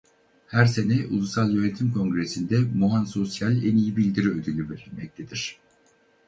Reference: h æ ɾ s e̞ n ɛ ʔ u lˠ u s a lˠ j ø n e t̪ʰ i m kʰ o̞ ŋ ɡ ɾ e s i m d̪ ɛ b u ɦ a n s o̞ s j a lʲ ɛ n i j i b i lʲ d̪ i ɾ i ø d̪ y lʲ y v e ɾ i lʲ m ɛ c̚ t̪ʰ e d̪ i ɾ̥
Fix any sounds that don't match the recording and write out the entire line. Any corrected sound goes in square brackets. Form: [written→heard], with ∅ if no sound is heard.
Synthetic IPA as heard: h æ ɾ s e̞ n ɛ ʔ u lˠ u s a lˠ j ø n e t̪ʰ i m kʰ o̞ ŋ ɡ ɾ e s i [m→n] d̪ ɛ [b→m] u ɦ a n s o̞ s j a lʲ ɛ n i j i b i lʲ d̪ i ɾ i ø d̪ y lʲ y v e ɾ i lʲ m ɛ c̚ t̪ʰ e d̪ i ɾ̥